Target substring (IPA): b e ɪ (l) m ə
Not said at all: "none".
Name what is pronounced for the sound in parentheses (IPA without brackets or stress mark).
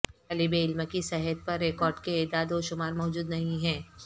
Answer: l